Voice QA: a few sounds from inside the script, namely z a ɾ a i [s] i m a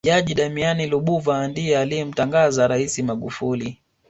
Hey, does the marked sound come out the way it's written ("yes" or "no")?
yes